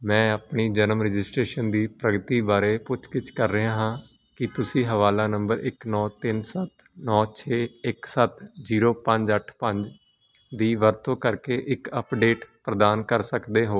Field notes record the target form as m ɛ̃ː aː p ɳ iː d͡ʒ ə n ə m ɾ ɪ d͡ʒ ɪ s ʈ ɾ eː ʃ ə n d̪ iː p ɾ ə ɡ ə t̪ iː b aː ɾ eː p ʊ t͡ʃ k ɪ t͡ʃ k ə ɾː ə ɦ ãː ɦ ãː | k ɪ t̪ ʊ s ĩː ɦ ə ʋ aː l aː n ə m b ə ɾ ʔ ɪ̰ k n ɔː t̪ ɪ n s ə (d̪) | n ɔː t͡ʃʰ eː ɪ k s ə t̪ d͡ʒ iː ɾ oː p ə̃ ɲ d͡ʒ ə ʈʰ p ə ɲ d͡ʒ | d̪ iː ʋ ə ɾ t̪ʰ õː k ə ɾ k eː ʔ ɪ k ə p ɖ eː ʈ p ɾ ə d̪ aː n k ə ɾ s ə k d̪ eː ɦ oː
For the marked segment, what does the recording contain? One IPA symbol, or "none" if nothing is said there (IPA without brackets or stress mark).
t̪